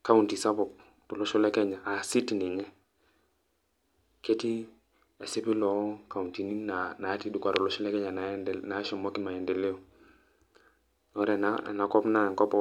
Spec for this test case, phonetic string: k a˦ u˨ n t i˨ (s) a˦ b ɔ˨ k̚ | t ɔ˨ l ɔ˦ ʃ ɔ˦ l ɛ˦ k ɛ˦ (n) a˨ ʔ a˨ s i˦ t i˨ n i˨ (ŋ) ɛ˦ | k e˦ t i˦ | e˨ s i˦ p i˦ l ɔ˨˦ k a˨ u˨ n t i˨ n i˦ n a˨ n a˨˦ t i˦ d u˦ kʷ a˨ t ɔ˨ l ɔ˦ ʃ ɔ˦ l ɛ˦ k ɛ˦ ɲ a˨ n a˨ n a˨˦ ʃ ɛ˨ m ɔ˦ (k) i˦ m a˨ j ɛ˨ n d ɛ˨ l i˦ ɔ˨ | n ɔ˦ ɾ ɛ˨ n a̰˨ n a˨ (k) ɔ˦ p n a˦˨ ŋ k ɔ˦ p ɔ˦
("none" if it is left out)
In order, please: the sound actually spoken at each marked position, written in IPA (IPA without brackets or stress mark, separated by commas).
s, ɲ, ŋ, k, k